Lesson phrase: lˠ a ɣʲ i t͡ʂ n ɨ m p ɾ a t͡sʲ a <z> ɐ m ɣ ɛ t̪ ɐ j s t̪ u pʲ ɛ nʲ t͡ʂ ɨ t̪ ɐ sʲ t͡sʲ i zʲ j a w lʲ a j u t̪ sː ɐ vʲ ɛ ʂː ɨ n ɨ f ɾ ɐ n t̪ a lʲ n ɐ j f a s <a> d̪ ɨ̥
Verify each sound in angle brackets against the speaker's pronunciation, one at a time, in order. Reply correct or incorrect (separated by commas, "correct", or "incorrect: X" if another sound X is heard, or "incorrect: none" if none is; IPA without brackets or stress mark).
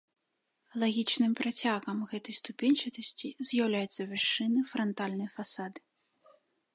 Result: incorrect: ɣ, correct